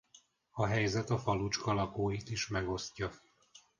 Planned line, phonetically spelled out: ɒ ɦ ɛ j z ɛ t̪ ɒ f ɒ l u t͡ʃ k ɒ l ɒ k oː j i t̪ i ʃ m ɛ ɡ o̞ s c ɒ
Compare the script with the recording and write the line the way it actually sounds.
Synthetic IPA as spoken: ɒ ɦ ɛ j z ɛ t̪ ɒ f ɒ l u t͡ʃ k ɒ l ɒ k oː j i t̪ i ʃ m ɛ ɡ o̞ s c ɒ

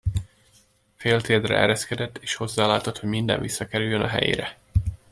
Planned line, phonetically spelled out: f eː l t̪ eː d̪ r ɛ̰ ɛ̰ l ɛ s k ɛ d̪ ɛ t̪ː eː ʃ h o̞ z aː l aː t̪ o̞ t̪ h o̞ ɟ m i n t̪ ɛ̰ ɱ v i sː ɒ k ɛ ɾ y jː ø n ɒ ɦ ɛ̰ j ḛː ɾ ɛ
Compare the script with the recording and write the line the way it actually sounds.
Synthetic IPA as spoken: f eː l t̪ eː d̪ r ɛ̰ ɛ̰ ɾ ɛ s k ɛ d̪ ɛ t̪ː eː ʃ h o̞ zː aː l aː t̪ o̞ t̪ h o̞ ɟ m i n d̪ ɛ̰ ɱ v i sː ɒ k ɛ ɾ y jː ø n ɒ ɦ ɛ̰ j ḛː ɾ ɛ

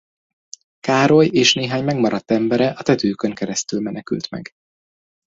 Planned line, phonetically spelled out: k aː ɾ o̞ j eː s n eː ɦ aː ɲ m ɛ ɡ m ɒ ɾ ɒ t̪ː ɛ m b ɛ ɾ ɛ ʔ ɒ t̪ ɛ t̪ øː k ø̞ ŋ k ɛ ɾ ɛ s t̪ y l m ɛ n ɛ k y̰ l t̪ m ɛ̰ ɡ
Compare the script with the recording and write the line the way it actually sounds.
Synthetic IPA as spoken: k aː ɾ o̞ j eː ʃ n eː ɦ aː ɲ m ɛ ɡ m ɒ ɾ ɒ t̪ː ɛ m b ɛ ɾ ɛ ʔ ɒ t̪ ɛ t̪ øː k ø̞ ŋ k ɛ ɾ ɛ s t̪ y l m ɛ n ɛ k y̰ l t̪ m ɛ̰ ɡ

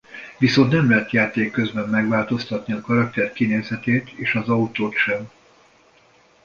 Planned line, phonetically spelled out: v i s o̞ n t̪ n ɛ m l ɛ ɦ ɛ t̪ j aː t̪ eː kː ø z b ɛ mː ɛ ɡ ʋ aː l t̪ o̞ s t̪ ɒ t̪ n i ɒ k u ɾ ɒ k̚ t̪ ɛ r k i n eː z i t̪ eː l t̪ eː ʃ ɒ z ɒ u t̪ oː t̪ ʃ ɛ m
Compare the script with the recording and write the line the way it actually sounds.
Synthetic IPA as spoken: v i s o̞ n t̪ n ɛ m l ɛ ɦ ɛ t̪ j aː t̪ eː kː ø z b ɛ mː ɛ ɡ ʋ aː l t̪ o̞ s t̪ ɒ t̪ n i ɒ k ɒ ɾ ɒ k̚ t̪ ɛ r k i n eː z ɛ t̪ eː t̪ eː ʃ ɒ z ɒ u t̪ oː t̪ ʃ ɛ m

